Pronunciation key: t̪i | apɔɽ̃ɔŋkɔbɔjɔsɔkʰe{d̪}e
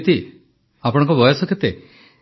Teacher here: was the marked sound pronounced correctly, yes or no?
no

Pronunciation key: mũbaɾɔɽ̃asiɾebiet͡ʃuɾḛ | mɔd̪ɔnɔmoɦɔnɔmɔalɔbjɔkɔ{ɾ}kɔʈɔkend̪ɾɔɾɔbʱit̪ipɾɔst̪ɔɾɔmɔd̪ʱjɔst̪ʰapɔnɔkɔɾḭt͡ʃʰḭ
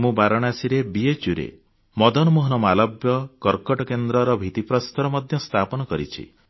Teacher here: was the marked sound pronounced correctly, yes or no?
yes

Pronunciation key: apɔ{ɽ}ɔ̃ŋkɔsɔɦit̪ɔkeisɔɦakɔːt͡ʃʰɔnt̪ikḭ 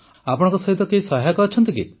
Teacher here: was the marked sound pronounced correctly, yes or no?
yes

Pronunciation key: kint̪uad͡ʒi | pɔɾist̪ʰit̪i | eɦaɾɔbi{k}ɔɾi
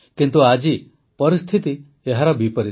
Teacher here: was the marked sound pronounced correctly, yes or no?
no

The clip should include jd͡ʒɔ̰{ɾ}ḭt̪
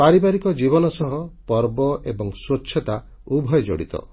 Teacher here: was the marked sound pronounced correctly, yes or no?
no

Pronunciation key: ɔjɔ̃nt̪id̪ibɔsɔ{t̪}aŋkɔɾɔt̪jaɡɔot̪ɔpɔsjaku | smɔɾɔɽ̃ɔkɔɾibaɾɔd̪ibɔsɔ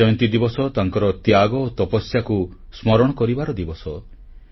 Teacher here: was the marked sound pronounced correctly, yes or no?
yes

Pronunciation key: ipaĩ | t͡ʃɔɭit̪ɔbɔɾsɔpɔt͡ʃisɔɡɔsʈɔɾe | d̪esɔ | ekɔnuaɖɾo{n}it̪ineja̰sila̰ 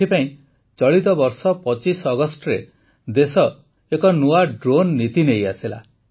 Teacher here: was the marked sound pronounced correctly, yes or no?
no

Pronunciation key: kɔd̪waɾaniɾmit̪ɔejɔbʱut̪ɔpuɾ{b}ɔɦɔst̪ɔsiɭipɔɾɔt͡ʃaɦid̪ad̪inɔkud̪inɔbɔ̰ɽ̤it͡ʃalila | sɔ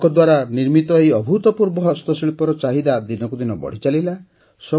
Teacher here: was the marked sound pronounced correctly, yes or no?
yes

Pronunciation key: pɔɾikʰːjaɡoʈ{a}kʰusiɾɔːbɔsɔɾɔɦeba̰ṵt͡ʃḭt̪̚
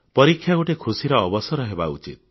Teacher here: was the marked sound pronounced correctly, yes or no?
no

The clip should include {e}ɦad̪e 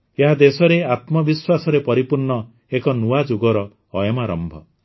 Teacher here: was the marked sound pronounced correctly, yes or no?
yes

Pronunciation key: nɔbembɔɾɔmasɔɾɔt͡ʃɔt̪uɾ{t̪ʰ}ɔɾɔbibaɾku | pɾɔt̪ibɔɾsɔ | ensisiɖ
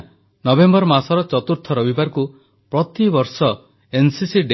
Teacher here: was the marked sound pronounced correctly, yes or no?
yes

